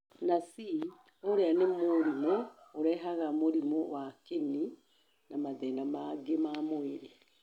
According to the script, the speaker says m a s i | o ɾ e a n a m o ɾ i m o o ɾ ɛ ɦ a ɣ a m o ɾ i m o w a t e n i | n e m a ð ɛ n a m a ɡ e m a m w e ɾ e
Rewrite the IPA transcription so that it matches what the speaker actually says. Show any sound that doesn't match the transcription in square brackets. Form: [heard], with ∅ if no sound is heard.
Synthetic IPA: [n] a s i | o ɾ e a n [e] m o ɾ i m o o ɾ ɛ ɦ a ɣ a m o ɾ i m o w a [k] e n i | n [a] m a ð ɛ n a m a ɡ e m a m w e ɾ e